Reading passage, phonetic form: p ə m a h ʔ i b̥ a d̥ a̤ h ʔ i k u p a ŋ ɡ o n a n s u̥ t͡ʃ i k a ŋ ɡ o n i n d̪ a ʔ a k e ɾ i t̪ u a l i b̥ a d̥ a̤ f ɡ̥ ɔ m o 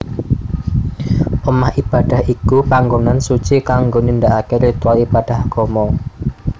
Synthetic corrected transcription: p ə m a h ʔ i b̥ a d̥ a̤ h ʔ i k u p a ŋ ɡ o n a n s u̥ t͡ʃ i k a ŋ ɡ o n i n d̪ a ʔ a k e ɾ i t̪ u a l i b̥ a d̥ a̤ h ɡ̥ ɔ m ɔ

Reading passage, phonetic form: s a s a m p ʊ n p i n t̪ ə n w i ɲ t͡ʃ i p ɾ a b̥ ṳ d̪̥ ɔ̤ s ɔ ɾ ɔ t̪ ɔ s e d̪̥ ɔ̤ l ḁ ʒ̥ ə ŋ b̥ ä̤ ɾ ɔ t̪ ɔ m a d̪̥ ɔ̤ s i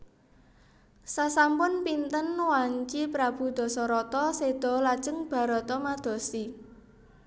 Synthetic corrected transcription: s a s a m p ʊ n p i n t̪ ə n w a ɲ t͡ʃ i p ɾ a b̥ ṳ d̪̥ ɔ̤ s ɔ ɾ ɔ t̪ ɔ s e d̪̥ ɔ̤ l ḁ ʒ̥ ə ŋ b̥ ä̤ ɾ ɔ t̪ ɔ m a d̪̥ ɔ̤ s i

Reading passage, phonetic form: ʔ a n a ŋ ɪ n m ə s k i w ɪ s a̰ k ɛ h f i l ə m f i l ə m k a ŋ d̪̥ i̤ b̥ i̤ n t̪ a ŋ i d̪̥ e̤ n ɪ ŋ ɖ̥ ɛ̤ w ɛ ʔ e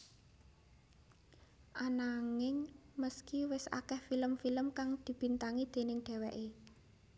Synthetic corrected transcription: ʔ a n a ŋ ɪ ŋ m ə s k i w ɪ s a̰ k ɛ h f i l ə m f i l ə m k a ŋ d̪̥ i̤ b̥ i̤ n t̪ a ŋ i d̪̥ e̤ n ɪ ŋ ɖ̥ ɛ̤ w ɛ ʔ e

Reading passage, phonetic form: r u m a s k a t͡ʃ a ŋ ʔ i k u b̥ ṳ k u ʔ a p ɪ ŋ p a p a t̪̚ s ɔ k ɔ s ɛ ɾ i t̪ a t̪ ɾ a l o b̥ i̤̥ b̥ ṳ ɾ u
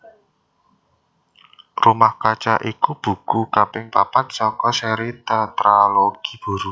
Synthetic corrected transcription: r u m a h k a t͡ʃ a ʔ i k u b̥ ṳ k u k a p ɪ ŋ p a p a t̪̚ s ɔ k ɔ s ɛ ɾ i t̪ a t̪ ɾ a l o ɡ̥ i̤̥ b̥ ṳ ɾ u

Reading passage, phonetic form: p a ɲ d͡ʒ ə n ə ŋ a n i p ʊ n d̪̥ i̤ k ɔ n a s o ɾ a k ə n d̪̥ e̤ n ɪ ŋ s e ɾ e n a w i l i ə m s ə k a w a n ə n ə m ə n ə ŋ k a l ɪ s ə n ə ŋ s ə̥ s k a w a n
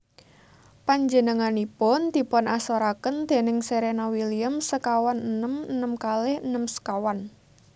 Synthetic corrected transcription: p a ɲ d͡ʒ ə n ə ŋ a n i p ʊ n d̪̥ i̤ p ɔ n a s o ɾ a k ə n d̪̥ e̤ n ɪ ŋ s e ɾ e n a w i l i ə m s ə k a w a n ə n ə m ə n ə m k a l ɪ h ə n ə m s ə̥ k a w a n

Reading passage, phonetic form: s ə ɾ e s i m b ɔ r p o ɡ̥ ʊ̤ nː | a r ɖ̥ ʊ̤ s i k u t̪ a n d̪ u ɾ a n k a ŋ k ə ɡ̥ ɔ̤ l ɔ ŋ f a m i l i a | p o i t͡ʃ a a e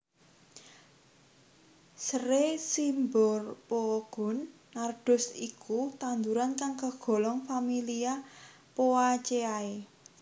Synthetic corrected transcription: s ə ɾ e s i m b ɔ r p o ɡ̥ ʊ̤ nː | a r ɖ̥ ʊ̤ s i k u t̪ a n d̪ u ɾ a n k a ŋ k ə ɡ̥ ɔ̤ l ɔ ŋ f a m i l i a | p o a t͡ʃ e a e

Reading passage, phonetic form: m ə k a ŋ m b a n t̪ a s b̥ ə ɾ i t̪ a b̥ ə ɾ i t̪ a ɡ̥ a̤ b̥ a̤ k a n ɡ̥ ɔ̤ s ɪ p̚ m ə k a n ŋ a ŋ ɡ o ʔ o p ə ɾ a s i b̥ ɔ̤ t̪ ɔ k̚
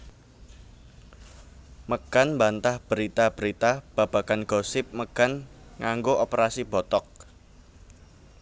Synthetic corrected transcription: m ə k a n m b a n t̪ a h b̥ ə ɾ i t̪ a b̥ ə ɾ i t̪ a b̥ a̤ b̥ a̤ k a n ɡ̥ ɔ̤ s ɪ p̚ m ə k a n ŋ a ŋ ɡ o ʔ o p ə ɾ a s i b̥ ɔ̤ t̪ ɔ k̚

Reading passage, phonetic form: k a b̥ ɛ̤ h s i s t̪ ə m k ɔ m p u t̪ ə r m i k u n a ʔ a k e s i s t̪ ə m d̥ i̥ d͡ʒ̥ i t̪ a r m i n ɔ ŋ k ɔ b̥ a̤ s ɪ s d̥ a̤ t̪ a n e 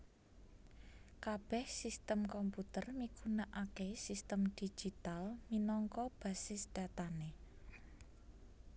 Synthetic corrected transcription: k a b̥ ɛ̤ h s i s t̪ ə m k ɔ m p u t̪ ə r m i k u n a ʔ a k e s i s t̪ ə m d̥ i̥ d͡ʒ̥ i t̪ a l m i n ɔ ŋ k ɔ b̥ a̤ s ɪ s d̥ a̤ t̪ a n e

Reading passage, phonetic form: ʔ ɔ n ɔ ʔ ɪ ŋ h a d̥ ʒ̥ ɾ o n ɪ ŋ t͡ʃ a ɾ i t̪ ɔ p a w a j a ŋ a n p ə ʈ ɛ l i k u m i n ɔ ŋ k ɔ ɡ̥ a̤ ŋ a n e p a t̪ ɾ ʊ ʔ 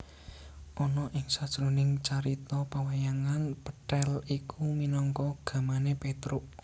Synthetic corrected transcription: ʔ ɔ n ɔ ʔ ɪ ŋ s a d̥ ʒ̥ ɾ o n ɪ ŋ t͡ʃ a ɾ i t̪ ɔ p a w a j a ŋ a n p ə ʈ ɛ l i k u m i n ɔ ŋ k ɔ ɡ̥ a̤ m a n e p e t̪ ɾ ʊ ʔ

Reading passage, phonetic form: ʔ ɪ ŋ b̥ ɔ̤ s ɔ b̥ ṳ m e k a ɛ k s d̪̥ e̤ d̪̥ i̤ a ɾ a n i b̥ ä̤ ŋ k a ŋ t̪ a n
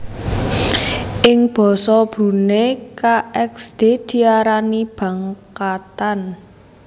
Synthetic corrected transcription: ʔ ɪ ŋ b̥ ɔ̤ s ɔ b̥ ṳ n e k a ɛ k s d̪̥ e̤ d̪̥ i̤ a ɾ a n i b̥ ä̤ ŋ k a t̪ a n

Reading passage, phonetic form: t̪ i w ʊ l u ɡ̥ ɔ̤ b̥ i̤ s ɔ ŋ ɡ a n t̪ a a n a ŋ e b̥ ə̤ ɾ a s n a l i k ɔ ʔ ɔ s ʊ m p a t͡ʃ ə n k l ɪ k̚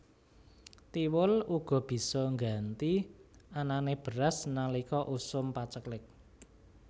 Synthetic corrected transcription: t̪ i w ʊ l u ɡ̥ ɔ̤ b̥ i̤ s ɔ ŋ ɡ a n t̪ i a n a n e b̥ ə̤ ɾ a s n a l i k ɔ ʔ u s ʊ m p a t͡ʃ ə k l ɪ k̚

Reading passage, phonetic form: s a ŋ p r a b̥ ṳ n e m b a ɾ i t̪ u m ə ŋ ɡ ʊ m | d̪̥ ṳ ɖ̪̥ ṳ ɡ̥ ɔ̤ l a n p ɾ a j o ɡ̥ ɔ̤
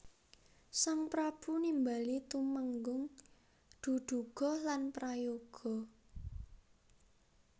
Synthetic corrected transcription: s a ŋ p ɾ a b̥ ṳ n i m b a l i t̪ u m ə ŋ ɡ ʊ ŋ | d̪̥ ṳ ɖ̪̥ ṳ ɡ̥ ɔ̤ l a n p ɾ a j o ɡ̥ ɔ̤

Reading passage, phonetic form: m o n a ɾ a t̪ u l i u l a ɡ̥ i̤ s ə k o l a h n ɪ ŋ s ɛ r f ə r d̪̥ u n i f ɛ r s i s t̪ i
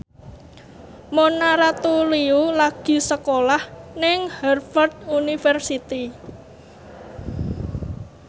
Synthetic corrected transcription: m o n a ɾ a t̪ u l i u l a ɡ̥ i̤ s ə k o l a h n ɪ ŋ h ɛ r f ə r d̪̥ u n i f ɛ r s i t̪ i

